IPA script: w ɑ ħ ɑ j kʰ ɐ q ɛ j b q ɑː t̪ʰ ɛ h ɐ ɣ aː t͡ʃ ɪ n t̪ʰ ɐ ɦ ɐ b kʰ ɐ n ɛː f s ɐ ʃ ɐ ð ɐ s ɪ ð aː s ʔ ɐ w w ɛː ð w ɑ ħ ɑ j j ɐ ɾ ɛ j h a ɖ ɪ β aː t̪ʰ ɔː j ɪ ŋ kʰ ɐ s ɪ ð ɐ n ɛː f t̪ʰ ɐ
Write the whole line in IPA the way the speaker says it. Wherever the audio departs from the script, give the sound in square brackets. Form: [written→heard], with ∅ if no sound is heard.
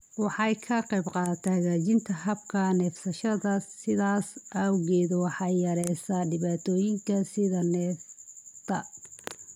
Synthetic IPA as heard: w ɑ ħ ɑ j kʰ ɐ q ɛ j b q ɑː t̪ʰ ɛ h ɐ ɣ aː t͡ʃ ɪ n t̪ʰ ɐ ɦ ɐ b kʰ ɐ n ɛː f s ɐ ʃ ɐ ð ɐ s ɪ ð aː s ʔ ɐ w [w→ɣ] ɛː ð w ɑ ħ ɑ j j ɐ ɾ ɛ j [h→s] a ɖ ɪ β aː t̪ʰ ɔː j ɪ ŋ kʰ ɐ s ɪ ð ɐ n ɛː f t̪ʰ ɐ